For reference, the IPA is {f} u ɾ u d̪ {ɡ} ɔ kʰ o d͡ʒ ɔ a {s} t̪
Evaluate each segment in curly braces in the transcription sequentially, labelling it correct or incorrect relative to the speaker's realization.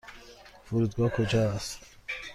correct, correct, correct

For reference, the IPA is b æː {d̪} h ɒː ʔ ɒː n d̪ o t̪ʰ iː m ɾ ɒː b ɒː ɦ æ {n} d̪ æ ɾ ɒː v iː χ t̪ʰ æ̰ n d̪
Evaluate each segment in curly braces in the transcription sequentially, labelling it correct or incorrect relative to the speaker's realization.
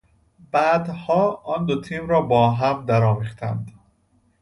correct, incorrect: m

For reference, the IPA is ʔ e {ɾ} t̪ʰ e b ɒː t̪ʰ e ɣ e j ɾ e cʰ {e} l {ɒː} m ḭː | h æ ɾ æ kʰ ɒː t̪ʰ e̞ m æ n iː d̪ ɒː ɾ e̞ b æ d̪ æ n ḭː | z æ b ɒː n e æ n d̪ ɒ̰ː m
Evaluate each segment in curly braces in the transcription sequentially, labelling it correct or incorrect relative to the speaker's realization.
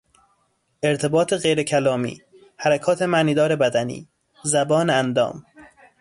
correct, incorrect: æ, correct

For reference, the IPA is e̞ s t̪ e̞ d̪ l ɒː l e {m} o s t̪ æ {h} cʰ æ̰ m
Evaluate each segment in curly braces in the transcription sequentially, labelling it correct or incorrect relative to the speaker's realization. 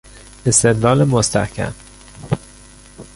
correct, correct

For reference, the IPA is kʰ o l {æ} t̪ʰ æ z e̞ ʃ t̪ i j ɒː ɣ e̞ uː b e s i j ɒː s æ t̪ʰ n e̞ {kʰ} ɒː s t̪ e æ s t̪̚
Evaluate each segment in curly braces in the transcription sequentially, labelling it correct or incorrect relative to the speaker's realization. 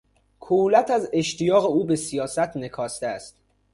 correct, correct

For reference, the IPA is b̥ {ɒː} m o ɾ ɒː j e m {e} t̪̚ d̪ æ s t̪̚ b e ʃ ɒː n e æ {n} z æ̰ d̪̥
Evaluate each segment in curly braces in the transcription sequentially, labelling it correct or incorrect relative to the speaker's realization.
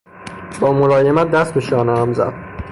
correct, incorrect: æ, incorrect: m

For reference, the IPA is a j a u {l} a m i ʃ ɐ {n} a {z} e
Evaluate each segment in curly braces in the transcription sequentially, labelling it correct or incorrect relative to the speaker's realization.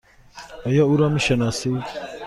incorrect: ɾ, correct, incorrect: s

